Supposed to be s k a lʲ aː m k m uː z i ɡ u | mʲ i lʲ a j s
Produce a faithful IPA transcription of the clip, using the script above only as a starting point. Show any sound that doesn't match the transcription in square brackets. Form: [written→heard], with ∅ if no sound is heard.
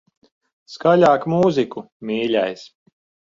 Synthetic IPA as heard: s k a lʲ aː [m→∅] k m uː z i [ɡ→k] u | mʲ [i→iː] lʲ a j s

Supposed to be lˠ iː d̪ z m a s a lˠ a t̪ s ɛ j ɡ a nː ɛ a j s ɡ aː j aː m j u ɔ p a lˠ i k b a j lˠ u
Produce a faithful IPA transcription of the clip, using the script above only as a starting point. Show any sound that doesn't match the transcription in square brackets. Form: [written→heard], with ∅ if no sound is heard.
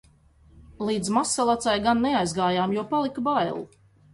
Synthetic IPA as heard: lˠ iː d̪ z m a s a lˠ a t̪ s [ɛ→a] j ɡ a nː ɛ a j [s→z] ɡ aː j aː m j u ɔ p a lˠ i k b a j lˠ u

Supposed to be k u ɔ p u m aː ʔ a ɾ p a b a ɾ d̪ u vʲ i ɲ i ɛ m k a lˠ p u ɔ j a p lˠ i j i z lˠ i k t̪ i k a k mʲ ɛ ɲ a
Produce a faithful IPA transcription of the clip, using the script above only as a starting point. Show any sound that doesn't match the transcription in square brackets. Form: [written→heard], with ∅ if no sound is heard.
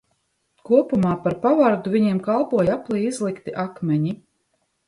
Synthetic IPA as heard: k u ɔ p u m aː [ʔ→p] a ɾ p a [b→v] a ɾ d̪ u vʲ i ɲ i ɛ m k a lˠ p u ɔ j a p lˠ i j i z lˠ i k t̪ i [k→ʔ] a k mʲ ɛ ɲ [a→i]

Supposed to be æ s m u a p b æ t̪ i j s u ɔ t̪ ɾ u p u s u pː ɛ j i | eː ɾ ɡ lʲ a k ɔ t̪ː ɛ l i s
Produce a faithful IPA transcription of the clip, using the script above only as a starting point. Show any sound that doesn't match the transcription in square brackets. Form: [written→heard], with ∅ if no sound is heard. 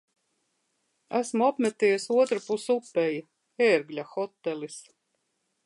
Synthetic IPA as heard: æ s m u a p [b→m] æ t̪ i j s u ɔ t̪ ɾ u p u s u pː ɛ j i | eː ɾ ɡ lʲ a [k→x] ɔ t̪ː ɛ l i s

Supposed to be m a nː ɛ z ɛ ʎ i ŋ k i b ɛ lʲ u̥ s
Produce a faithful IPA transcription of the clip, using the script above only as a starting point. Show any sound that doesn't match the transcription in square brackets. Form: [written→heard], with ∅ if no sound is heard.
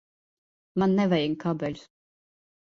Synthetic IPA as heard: m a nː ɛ [z→v] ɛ [ʎ→j] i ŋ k [i→a] b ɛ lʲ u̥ s

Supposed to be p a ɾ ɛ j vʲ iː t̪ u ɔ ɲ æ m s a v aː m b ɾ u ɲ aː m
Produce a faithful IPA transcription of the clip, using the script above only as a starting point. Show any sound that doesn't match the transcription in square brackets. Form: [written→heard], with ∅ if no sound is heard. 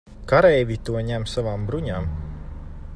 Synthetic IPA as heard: [p→k] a ɾ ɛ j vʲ [iː→i] t̪ u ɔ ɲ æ m s a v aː m b ɾ u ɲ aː m

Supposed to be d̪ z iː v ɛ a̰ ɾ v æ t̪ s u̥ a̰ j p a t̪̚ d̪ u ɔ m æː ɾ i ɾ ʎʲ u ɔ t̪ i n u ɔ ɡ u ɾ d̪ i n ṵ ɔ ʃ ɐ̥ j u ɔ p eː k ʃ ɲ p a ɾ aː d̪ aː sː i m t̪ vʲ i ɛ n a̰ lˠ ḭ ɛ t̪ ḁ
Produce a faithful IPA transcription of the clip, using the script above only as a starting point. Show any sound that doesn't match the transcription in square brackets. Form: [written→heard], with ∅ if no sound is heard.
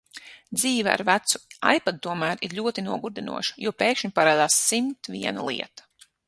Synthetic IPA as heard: d̪ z iː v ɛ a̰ ɾ v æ t̪ s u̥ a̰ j p a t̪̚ [d̪→t̪] u ɔ m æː ɾ i ɾ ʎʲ u ɔ t̪ i n u ɔ ɡ u ɾ d̪ i n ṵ ɔ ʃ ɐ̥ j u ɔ p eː k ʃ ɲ p a ɾ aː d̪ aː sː i m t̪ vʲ i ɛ n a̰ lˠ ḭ ɛ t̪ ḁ

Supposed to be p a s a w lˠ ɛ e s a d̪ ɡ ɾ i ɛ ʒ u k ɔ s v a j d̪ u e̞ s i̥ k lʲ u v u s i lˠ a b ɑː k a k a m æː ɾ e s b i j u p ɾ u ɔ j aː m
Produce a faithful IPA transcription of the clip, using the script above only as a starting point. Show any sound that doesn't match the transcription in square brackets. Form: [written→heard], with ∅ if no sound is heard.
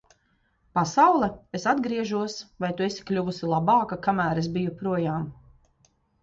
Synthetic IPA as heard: p a s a w lˠ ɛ e s a d̪ ɡ ɾ i ɛ ʒ u [k→∅] ɔ s v a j [d̪→t̪] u e̞ s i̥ k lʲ u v u s i lˠ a b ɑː k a k a m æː ɾ e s b i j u p ɾ u ɔ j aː m

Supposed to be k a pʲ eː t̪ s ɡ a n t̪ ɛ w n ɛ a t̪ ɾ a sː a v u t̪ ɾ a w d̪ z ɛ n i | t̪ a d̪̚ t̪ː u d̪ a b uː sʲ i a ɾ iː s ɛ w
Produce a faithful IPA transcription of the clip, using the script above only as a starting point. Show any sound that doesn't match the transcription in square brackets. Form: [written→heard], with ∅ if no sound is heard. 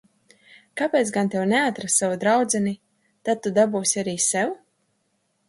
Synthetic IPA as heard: k a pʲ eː t̪ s ɡ a n t̪ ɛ w n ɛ a t̪ ɾ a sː a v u [t̪→d̪] ɾ a w d̪ z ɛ n i | t̪ a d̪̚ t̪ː u d̪ a b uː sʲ i a ɾ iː s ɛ w

